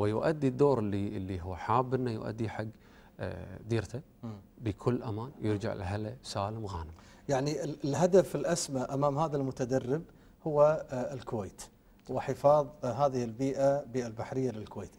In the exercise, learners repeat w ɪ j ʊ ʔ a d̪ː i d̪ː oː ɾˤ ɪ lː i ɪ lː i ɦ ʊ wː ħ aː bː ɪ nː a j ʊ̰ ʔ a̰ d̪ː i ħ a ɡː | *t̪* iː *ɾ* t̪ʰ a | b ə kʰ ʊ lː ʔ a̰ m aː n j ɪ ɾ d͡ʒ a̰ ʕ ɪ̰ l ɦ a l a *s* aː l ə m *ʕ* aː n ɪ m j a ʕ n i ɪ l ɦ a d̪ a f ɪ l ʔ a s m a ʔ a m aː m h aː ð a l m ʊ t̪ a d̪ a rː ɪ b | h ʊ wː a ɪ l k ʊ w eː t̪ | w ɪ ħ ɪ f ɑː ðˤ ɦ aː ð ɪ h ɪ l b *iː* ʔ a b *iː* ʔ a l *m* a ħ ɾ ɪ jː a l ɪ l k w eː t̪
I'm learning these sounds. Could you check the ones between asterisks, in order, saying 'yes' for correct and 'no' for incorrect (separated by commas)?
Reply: no, yes, yes, no, yes, yes, no